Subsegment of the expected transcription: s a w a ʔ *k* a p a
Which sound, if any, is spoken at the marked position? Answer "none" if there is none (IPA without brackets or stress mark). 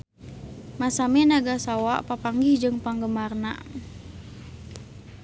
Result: p